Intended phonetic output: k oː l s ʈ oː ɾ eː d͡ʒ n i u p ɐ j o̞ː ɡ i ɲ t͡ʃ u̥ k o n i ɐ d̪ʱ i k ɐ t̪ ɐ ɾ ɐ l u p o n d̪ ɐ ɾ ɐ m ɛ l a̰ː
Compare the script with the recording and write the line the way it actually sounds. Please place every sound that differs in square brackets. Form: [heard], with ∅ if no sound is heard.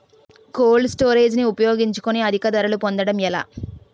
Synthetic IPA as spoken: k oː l s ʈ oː ɾ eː d͡ʒ n i u p ɐ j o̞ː ɡ i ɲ t͡ʃ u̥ k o n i ɐ d̪ʱ i k ɐ [d̪] ɐ ɾ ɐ l u p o n d̪ ɐ [ɽ] ɐ m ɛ l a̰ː